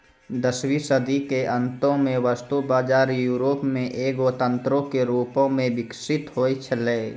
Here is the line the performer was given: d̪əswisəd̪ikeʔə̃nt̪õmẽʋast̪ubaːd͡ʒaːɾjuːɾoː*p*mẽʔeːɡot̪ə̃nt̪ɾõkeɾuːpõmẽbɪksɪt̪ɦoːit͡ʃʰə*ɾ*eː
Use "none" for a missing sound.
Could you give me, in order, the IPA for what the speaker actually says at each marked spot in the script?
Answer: p, l

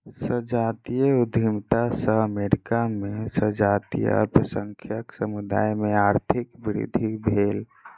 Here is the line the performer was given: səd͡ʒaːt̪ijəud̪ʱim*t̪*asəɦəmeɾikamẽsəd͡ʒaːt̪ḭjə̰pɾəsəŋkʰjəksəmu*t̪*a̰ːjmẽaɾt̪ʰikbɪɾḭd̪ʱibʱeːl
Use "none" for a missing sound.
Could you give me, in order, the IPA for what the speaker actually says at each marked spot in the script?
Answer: t̪, d̪

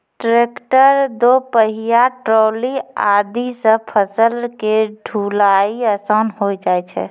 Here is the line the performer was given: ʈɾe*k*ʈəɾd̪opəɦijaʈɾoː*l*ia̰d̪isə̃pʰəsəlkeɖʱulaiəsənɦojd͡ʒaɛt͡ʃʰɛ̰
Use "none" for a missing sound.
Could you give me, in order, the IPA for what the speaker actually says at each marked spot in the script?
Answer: k, l

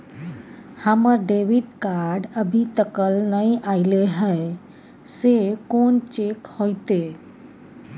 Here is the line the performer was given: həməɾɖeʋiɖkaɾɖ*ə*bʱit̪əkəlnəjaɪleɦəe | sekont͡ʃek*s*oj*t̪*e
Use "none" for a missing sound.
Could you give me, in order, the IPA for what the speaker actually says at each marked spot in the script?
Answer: ə, h, t̪

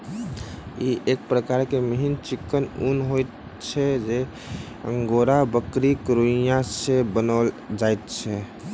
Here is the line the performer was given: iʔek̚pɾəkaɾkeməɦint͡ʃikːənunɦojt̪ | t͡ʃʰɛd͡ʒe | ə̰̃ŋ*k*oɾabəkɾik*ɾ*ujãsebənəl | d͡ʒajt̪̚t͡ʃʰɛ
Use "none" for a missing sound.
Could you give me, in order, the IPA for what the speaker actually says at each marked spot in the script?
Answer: ɡ, ɾ

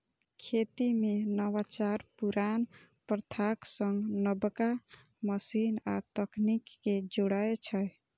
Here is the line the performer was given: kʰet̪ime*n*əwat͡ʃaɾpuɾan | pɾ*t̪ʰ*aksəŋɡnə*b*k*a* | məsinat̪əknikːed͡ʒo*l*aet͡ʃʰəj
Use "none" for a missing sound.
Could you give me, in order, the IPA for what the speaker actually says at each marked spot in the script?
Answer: n, t̪ʰ, b, a, ɽ

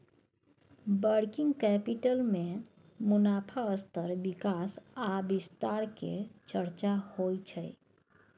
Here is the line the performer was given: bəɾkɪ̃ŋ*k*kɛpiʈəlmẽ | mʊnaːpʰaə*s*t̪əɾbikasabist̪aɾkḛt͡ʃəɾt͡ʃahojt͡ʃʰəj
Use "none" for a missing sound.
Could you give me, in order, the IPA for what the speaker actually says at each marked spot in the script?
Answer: ɡ, s

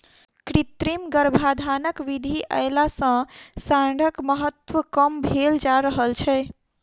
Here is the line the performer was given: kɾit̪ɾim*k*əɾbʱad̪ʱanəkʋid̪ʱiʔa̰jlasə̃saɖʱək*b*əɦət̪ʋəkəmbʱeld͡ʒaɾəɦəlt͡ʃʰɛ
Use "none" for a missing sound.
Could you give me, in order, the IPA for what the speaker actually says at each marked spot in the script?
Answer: ɡ, m

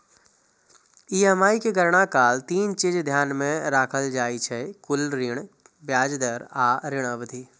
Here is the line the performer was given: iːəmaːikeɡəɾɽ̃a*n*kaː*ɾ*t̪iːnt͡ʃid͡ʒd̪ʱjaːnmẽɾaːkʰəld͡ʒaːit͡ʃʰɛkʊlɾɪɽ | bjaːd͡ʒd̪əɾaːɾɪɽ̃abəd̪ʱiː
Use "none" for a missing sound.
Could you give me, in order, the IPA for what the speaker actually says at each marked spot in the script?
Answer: none, l

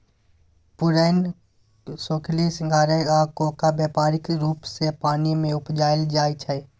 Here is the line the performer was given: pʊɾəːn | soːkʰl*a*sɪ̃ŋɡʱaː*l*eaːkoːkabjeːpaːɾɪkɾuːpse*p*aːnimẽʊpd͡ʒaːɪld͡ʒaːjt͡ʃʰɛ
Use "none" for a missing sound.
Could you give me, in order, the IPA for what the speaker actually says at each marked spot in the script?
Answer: i, ɾ, p

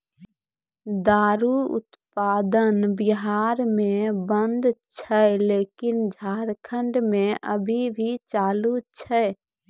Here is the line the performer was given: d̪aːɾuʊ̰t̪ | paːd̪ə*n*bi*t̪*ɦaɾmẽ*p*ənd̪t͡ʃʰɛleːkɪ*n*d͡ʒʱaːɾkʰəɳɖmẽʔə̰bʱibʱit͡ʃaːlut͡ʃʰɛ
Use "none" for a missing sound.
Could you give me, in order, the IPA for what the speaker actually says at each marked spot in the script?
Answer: n, none, b, n

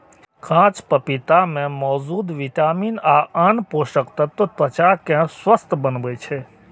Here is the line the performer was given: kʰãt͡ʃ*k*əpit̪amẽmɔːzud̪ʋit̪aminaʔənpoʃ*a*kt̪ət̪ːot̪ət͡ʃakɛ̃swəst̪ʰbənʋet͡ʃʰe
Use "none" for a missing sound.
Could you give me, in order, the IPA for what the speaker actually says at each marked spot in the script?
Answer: p, ə

